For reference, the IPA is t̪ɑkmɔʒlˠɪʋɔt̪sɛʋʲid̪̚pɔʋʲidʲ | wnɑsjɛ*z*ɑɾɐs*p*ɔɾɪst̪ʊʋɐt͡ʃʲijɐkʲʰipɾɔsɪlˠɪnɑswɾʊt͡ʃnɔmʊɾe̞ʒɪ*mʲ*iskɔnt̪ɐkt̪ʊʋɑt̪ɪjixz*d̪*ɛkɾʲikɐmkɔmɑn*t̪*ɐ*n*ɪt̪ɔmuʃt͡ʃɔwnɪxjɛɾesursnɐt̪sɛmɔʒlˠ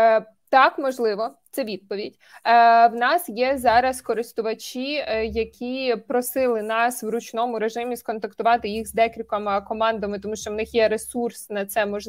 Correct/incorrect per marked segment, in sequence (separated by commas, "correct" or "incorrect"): correct, incorrect, correct, correct, incorrect, incorrect